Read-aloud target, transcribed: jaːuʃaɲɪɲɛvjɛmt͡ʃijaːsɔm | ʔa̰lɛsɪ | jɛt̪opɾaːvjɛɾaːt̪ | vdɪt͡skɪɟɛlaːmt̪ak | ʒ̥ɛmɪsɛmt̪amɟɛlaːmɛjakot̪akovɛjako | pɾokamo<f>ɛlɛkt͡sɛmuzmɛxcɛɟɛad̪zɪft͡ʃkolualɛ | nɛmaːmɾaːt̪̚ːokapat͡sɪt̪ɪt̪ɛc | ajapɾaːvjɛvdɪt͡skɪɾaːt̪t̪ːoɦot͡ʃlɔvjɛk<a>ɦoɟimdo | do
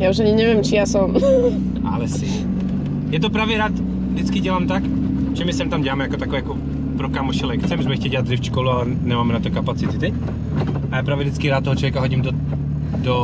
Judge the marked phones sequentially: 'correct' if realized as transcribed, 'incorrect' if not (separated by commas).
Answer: incorrect, correct